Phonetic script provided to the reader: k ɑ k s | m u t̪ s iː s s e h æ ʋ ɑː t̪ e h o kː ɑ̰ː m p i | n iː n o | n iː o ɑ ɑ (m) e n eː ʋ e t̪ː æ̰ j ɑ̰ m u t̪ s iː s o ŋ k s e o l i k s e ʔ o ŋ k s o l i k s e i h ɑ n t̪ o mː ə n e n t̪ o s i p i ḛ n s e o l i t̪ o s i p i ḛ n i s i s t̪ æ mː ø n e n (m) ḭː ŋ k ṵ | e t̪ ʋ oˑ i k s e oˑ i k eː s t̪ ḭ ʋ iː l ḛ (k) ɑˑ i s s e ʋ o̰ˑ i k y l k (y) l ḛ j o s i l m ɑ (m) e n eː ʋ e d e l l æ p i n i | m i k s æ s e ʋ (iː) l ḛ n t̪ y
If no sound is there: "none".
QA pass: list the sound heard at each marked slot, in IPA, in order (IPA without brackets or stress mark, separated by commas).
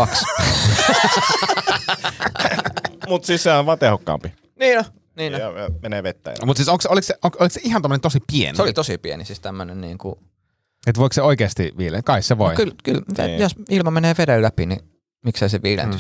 m, n, k, y, m, iː